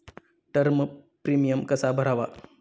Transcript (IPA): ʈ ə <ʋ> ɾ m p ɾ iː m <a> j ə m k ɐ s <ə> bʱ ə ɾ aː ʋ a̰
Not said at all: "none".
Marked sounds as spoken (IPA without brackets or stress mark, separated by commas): none, i, a